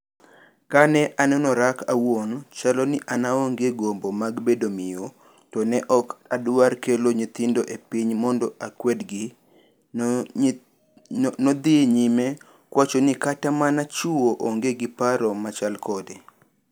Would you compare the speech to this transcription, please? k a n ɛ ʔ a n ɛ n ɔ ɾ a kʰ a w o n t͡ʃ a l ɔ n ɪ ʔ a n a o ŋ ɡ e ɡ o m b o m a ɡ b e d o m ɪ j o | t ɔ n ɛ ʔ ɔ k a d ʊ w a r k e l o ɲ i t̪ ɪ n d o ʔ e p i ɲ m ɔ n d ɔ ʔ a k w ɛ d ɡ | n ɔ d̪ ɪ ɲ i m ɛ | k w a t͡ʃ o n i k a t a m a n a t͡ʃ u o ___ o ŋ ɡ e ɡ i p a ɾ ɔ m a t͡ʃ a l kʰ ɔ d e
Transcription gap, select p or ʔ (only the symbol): ʔ